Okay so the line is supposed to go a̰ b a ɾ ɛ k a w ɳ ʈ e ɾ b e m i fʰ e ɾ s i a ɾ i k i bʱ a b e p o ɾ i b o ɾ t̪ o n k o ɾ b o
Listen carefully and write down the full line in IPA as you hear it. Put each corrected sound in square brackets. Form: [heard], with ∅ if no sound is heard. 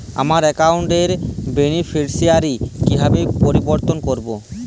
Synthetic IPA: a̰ [m] a ɾ ɛ k a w ɳ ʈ e ɾ b e [n] i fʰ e ɾ s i a ɾ i k i bʱ a b e p o ɾ i b o ɾ t̪ o n k o ɾ b o